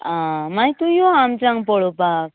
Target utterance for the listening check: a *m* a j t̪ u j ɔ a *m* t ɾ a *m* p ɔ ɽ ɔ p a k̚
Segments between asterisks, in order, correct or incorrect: correct, correct, incorrect: ŋ

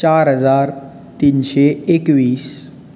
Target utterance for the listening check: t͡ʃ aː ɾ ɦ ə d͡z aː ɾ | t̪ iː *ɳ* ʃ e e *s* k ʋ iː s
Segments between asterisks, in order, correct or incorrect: incorrect: n, incorrect: none

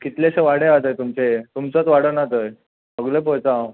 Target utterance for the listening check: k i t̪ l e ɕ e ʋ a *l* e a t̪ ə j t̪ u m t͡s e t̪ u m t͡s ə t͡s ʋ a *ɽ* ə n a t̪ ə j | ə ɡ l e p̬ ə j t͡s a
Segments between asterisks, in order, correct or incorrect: incorrect: ɽ, correct

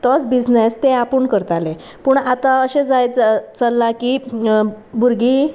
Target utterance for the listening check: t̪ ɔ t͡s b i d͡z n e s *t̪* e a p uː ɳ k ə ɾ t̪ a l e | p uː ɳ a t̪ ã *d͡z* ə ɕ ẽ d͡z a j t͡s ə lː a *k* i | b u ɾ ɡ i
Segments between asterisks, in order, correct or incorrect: correct, incorrect: none, correct

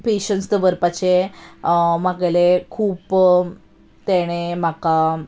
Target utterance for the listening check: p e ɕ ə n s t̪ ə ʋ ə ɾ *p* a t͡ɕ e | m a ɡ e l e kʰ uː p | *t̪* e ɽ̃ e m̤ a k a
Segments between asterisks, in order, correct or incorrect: correct, correct

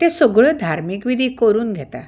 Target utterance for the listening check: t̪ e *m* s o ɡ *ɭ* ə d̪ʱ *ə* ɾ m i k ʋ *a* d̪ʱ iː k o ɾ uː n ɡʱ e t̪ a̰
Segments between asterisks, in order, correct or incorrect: incorrect: none, correct, incorrect: a, incorrect: i

